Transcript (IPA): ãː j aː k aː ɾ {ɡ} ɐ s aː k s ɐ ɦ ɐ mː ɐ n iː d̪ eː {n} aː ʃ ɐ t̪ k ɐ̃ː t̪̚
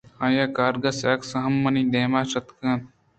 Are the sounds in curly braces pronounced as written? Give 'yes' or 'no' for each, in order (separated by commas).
yes, no